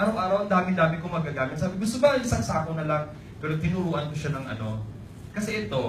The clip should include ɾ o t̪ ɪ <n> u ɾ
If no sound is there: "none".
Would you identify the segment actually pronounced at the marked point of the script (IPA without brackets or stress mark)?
n